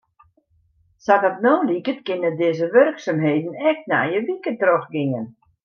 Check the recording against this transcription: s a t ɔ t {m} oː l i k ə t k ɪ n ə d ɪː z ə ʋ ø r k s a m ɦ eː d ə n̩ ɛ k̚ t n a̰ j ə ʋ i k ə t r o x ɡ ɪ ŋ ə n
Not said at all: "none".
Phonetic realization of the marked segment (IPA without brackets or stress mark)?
n